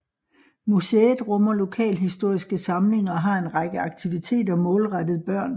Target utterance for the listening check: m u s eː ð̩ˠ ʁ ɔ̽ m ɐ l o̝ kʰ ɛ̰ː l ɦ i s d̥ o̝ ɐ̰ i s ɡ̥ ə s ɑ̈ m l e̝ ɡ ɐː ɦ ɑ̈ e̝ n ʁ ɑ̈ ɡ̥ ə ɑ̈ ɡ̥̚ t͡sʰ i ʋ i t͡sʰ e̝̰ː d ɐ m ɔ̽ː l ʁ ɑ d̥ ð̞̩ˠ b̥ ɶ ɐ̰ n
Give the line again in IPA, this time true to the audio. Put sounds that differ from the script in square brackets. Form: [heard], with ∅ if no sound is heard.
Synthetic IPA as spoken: m u s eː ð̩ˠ ʁ ɔ̽ m ɐ l o̝ kʰ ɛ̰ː l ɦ i s d̥ o̝ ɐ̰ i s ɡ̥ ə s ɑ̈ m l e̝ [ŋ] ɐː ɦ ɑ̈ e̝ n ʁ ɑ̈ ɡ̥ ə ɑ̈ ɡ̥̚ t͡sʰ i ʋ i t͡sʰ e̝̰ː d ɐ m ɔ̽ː l ʁ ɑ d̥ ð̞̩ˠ b̥ ɶ ɐ̰ n